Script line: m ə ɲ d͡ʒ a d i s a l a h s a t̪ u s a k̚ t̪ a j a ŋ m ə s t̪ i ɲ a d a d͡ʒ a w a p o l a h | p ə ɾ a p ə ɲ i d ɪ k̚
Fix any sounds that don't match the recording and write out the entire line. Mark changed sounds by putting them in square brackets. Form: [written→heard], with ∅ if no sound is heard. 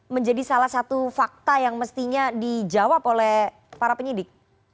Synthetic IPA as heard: m ə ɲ d͡ʒ a d i s a l a h s a t̪ u [s→f] a k̚ t̪ a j a ŋ m ə s t̪ i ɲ a d [a→i] d͡ʒ a w a p o l [a→ɛ] h | p [ə→a] ɾ a p ə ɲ i d ɪ k̚